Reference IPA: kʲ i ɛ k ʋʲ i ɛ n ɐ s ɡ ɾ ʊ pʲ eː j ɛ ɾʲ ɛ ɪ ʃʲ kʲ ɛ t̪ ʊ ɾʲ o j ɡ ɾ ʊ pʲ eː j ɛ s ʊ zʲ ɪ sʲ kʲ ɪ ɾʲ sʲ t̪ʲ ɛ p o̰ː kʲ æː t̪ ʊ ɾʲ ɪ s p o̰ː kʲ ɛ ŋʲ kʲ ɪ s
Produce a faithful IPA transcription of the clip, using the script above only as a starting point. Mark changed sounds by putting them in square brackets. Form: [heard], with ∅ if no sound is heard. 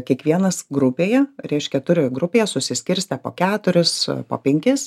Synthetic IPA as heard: kʲ i ɛ k ʋʲ i ɛ n ɐ s ɡ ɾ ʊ pʲ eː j ɛ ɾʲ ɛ ɪ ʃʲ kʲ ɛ t̪ ʊ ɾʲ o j ɡ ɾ ʊ pʲ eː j ɛ s ʊ [sʲ] ɪ sʲ kʲ ɪ ɾʲ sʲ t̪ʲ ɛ p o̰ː kʲ æː t̪ ʊ ɾʲ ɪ s p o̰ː [pʲ] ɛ ŋʲ kʲ ɪ s